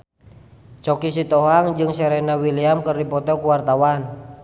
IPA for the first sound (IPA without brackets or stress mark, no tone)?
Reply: t͡ʃ